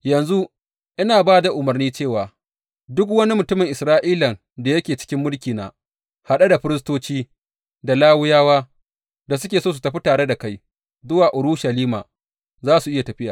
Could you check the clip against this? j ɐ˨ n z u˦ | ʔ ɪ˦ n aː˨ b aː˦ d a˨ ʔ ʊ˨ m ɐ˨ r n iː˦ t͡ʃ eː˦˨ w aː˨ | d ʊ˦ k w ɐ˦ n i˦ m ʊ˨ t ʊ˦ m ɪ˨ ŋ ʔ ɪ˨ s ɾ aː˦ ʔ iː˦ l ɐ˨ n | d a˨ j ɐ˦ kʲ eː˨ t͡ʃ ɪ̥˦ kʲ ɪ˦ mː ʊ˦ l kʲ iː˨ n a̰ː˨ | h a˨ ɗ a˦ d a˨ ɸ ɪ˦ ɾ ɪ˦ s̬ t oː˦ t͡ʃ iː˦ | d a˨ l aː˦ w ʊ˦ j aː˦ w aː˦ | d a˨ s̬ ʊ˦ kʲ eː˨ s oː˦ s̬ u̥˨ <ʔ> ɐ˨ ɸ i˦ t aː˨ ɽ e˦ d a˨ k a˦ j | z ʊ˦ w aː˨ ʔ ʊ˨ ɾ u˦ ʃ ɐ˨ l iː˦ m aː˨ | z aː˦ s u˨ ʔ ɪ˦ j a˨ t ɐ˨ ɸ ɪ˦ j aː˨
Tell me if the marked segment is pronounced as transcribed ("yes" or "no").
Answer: no